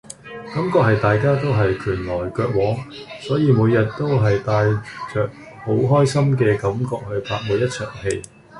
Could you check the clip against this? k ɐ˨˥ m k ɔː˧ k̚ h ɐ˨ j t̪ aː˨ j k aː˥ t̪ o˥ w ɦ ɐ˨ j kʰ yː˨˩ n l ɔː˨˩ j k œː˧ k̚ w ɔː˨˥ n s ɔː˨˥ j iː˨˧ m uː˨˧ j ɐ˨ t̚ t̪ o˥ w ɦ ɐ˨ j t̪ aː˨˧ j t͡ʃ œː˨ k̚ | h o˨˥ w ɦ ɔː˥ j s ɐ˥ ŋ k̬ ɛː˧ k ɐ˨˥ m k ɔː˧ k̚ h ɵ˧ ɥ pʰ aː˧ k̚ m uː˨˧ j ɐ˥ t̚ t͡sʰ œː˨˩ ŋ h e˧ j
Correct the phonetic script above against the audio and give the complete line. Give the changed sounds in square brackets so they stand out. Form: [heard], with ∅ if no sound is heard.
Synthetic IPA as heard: k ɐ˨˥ m k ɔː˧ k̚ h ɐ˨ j t̪ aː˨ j k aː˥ t̪ o˥ w ɦ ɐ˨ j kʰ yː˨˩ n l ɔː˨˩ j k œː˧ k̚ w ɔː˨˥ [ŋ] s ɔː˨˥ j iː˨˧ m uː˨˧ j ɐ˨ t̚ t̪ o˥ w ɦ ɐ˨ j t̪ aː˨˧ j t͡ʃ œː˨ k̚ | h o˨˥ w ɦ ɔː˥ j s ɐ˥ [m] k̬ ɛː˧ k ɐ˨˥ m k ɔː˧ k̚ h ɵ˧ ɥ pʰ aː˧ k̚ m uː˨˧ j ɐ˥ t̚ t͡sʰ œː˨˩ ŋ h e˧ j